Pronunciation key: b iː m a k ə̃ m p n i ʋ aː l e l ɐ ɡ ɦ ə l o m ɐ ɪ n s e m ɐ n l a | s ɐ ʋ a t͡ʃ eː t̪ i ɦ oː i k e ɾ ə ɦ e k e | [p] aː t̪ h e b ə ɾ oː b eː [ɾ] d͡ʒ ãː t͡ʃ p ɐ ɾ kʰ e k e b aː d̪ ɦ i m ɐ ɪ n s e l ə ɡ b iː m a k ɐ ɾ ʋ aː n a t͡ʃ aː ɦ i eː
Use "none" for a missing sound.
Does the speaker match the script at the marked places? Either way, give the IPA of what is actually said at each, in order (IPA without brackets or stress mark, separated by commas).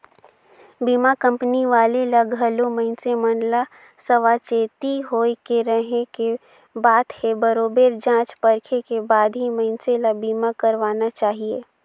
b, ɾ